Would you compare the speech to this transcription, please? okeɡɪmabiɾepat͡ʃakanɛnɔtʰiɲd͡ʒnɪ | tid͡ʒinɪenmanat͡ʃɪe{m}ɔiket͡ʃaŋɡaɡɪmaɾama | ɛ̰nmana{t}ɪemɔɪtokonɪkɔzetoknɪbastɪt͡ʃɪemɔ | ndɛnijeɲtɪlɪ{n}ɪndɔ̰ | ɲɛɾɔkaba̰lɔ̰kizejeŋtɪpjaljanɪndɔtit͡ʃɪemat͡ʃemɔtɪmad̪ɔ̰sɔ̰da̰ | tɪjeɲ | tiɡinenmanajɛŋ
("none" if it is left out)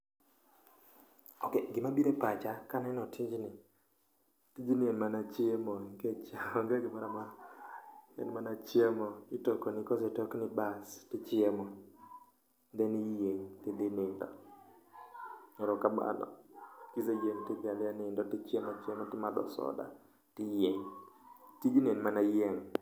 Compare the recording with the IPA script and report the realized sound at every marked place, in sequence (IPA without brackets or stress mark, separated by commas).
m, t͡ʃ, n